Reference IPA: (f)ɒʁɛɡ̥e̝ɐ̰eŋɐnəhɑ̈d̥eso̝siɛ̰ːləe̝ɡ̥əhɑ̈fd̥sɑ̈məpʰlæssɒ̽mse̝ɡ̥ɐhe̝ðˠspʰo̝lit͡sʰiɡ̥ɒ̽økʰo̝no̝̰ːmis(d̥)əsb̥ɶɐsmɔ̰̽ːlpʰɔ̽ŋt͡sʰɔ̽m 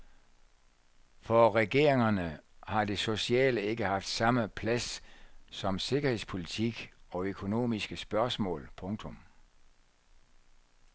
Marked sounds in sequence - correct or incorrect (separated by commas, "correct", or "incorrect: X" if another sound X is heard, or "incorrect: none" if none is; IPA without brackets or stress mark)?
correct, incorrect: ɡ̥